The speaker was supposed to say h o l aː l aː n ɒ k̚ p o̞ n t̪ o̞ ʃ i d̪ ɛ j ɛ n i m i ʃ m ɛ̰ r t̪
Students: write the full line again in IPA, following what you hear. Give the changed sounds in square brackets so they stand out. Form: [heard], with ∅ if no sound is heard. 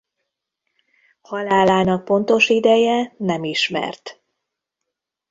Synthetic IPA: h [ɒ] l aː l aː n ɒ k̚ p o̞ n t̪ o̞ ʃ i d̪ ɛ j ɛ n [ɛ] m i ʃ m ɛ̰ r t̪